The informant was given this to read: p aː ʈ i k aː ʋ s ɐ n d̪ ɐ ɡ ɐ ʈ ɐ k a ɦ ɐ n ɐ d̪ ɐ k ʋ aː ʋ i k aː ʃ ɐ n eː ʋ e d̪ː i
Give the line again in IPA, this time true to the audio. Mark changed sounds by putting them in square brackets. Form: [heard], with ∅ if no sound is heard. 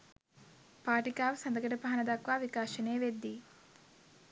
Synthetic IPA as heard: p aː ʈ i k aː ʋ s ɐ n d̪ ɐ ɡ ɐ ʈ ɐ [p] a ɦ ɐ n ɐ d̪ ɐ k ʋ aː ʋ i k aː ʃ ɐ n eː ʋ e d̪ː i